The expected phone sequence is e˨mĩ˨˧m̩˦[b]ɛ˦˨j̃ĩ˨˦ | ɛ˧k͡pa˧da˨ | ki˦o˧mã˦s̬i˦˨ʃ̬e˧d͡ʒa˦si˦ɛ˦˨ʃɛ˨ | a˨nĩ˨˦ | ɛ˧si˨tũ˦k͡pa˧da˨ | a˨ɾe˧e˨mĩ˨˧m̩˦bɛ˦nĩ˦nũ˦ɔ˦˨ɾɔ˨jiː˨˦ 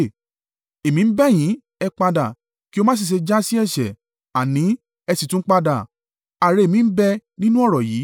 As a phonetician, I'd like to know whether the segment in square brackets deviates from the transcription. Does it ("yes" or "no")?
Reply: no